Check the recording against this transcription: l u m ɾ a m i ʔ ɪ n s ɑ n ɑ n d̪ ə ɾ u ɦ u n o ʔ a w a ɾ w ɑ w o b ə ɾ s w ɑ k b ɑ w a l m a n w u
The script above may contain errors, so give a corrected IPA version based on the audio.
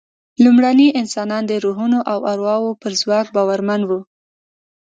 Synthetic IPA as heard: l u m ɽ a n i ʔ ɪ n s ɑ n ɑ n d̪ ə ɾ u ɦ u n o ʔ a w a ɾ w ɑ w o p ə ɾ z w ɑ k b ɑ w a ɾ m a n w u